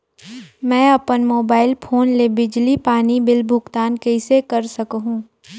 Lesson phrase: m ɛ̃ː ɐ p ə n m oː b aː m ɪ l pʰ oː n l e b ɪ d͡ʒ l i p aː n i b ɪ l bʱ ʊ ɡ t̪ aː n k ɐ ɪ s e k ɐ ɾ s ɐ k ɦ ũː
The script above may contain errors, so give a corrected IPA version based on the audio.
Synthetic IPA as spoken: m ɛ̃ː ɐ p ə n m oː b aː ɪ l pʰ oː n l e b ɪ d͡ʒ l i p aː n i b ɪ l bʱ ʊ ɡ t̪ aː n k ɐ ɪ s e k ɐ ɾ s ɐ k ɦ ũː